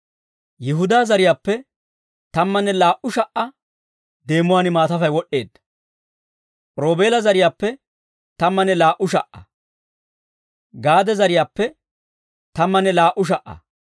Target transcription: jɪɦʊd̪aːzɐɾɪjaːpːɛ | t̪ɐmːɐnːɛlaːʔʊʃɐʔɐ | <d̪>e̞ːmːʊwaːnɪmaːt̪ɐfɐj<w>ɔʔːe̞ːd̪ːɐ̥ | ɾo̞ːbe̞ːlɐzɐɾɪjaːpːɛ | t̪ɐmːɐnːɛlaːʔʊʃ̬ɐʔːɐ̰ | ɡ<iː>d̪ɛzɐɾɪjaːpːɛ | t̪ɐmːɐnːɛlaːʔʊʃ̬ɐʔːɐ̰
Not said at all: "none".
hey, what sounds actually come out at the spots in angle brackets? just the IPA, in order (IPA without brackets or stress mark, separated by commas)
d̪, w, aː